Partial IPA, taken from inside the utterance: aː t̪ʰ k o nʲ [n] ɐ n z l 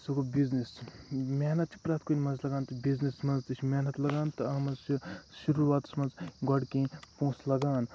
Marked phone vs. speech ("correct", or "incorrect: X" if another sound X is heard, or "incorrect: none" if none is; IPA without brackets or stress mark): incorrect: m